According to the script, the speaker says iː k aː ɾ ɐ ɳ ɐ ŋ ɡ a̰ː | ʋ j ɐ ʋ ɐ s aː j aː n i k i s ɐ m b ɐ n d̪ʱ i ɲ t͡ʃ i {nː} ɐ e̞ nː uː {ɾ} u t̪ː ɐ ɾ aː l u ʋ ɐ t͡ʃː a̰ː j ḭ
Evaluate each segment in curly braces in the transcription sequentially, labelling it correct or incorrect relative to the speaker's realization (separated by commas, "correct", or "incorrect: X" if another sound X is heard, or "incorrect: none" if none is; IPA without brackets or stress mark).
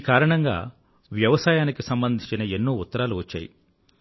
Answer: incorrect: n, incorrect: none